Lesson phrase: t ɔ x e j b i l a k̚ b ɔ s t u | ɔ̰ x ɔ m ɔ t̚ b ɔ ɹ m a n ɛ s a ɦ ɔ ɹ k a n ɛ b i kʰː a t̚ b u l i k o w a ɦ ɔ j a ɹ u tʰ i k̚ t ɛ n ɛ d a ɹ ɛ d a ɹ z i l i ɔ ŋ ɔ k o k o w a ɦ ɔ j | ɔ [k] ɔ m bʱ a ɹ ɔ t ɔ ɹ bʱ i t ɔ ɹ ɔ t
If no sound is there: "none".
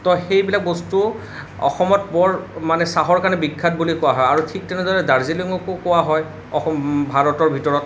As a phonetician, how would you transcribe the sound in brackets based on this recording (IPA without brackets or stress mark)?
x